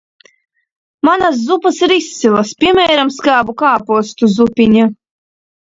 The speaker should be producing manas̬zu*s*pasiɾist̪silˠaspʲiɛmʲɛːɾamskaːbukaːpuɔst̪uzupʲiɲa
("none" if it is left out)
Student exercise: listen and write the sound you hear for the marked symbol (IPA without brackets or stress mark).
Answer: none